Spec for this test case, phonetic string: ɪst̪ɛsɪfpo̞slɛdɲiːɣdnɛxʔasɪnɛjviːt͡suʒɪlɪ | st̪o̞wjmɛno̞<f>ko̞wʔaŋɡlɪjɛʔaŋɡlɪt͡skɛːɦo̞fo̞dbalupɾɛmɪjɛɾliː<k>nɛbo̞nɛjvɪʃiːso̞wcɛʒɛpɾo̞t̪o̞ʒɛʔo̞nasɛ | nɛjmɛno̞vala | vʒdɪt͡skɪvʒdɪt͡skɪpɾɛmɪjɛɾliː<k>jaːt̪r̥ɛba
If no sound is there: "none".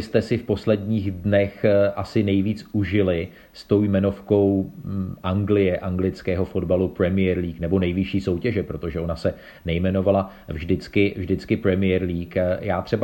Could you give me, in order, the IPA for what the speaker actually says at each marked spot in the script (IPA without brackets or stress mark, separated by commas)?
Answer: f, k, k